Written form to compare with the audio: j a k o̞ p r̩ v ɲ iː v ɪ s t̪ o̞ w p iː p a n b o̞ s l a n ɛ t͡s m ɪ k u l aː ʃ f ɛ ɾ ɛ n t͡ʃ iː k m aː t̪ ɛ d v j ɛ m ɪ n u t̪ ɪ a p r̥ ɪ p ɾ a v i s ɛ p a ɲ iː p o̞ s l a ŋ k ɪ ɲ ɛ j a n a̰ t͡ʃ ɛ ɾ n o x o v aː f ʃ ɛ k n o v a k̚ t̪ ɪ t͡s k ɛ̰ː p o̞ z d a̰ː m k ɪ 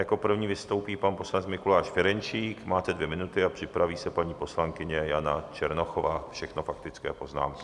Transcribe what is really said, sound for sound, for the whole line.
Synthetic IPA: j a k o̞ p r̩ v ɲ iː v ɪ s t̪ o̞ w p iː p a n p o̞ s l a n ɛ t͡s m ɪ k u l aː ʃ f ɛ ɾ ɛ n t͡ʃ iː k m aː t̪ ɛ d v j ɛ m ɪ n u t̪ ɪ a p r̥ ɪ p ɾ a v iː s ɛ p a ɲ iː p o̞ s l a ŋ k ɪ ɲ ɛ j a n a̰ t͡ʃ ɛ ɾ n o x o v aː f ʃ ɛ x n o f a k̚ t̪ ɪ t͡s k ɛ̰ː p o̞ z n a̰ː m k ɪ